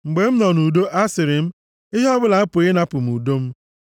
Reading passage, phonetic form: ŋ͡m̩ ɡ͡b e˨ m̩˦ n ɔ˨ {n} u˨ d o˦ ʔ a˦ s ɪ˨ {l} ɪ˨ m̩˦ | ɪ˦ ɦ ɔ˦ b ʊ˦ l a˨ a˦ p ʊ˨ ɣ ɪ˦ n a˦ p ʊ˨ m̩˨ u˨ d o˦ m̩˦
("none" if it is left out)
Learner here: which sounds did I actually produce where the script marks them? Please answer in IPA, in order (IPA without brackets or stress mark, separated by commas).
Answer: n, ɾ